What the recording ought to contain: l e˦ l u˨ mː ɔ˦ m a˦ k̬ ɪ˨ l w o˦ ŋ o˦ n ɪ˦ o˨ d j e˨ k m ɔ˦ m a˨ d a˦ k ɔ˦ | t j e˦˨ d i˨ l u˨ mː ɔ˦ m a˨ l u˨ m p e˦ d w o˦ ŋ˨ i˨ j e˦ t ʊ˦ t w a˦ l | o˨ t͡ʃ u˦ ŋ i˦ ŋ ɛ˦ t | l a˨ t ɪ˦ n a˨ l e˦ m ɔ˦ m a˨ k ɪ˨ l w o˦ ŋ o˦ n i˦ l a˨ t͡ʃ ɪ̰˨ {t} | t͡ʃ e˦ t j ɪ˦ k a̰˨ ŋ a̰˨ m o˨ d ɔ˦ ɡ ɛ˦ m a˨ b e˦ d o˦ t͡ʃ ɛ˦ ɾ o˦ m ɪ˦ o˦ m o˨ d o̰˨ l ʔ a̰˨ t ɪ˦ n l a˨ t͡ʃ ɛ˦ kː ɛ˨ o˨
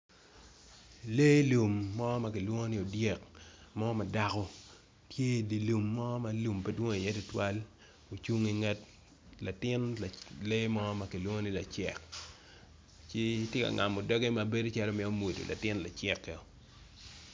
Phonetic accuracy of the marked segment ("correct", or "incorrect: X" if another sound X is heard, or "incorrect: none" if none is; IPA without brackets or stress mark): incorrect: k